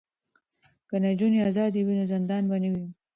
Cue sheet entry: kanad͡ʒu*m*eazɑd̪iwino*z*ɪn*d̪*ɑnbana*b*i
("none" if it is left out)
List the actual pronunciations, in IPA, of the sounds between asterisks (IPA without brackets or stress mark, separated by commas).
n, z, d̪, w